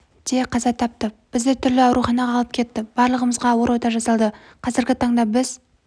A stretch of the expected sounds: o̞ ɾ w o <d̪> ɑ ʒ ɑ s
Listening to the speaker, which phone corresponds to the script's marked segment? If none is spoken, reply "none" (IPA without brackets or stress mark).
t̪